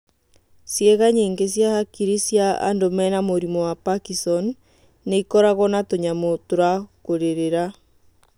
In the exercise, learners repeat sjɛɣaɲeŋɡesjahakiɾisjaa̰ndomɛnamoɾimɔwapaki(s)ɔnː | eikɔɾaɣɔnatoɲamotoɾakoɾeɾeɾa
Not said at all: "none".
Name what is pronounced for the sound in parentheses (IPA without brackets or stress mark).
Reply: s